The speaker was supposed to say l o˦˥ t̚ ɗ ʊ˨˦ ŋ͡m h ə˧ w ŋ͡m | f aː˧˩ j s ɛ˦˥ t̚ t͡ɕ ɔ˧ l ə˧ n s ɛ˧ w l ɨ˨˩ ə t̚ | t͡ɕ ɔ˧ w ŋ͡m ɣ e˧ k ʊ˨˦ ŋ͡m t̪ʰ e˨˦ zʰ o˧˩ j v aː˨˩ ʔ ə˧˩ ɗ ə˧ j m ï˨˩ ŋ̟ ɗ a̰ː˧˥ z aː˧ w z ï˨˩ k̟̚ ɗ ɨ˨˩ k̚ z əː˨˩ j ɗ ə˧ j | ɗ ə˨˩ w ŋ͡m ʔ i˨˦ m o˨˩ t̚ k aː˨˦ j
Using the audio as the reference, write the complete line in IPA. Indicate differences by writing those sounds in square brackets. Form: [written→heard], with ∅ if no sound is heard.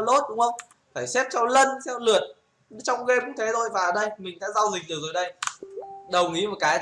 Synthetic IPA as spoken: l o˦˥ t̚ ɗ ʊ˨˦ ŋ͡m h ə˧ w ŋ͡m | f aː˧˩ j s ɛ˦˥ [t̚→p̚] t͡ɕ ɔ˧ l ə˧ n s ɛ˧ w l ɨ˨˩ ə t̚ | t͡ɕ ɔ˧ w ŋ͡m ɣ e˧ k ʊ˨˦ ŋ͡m t̪ʰ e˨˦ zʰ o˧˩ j v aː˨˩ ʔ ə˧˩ ɗ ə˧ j m ï˨˩ ŋ̟ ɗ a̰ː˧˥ z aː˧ w z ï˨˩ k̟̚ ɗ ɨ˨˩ k̚ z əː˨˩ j ɗ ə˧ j | ɗ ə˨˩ w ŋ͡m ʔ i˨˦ m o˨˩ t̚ k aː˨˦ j